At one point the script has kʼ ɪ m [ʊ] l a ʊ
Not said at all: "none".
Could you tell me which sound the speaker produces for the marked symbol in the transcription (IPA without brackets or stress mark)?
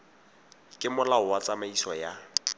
ʊ